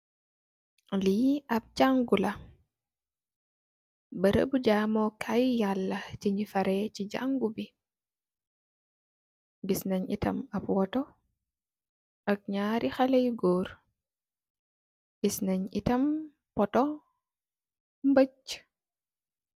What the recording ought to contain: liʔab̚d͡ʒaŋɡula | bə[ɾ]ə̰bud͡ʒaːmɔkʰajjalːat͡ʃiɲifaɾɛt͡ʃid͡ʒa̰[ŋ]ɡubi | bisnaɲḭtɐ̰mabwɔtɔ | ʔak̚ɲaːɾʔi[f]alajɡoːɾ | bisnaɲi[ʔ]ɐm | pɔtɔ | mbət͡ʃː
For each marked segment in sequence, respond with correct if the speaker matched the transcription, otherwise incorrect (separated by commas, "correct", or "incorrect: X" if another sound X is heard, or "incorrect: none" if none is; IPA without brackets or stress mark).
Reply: correct, correct, incorrect: x, incorrect: t